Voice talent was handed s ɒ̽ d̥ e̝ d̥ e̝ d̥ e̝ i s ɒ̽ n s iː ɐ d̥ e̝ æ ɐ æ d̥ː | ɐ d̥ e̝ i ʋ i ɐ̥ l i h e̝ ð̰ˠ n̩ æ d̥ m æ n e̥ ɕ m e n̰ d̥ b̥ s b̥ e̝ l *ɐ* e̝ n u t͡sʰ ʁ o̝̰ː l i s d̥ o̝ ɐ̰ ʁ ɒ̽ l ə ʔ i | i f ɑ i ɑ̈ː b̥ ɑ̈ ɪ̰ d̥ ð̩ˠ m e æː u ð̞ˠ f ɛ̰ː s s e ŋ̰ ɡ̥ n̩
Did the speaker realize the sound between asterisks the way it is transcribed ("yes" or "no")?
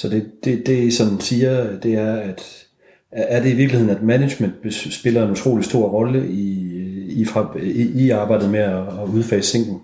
yes